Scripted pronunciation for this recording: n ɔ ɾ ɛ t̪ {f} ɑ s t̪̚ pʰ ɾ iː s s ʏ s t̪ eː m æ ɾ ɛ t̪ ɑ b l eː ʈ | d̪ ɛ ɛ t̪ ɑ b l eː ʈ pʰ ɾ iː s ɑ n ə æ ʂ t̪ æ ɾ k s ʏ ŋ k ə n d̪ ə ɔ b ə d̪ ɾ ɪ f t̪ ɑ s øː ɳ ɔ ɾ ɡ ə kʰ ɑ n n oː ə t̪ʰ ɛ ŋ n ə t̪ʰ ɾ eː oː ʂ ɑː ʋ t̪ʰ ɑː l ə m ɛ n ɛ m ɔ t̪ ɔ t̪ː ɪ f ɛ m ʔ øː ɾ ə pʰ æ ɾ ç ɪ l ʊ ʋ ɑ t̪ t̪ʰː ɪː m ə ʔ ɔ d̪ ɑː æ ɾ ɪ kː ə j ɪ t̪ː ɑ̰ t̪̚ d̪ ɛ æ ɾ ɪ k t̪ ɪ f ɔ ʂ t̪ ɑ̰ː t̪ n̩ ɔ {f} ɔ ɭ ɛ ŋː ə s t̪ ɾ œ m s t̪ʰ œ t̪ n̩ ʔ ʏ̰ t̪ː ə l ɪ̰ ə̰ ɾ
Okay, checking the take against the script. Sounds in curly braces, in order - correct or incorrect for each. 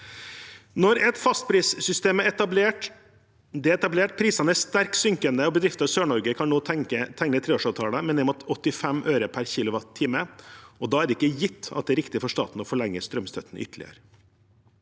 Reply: correct, correct

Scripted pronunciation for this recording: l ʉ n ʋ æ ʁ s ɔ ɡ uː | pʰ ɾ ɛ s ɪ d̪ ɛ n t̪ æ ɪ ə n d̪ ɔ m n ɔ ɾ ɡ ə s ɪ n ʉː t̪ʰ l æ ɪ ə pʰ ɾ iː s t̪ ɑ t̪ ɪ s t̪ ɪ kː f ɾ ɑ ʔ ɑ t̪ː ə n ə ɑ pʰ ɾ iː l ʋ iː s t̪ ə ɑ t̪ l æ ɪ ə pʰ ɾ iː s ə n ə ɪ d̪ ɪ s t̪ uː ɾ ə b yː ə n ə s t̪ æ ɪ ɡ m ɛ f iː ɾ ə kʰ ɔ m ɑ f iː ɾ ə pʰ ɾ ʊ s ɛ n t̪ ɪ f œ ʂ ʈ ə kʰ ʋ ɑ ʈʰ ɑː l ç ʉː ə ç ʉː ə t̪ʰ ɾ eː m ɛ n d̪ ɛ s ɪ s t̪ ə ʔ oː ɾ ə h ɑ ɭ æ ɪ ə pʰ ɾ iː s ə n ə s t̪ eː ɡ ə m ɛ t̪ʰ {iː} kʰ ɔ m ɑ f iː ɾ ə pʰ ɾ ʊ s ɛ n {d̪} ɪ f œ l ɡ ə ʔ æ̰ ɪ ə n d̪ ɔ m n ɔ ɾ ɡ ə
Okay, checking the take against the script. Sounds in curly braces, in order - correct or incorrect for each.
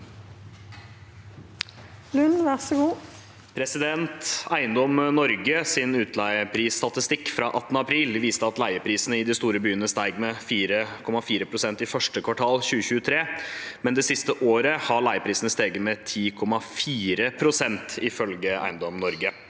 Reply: correct, incorrect

